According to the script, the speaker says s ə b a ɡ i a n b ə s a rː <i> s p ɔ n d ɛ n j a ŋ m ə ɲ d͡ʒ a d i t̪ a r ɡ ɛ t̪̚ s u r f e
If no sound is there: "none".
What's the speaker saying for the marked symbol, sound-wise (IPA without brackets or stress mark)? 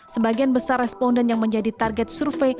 ɛ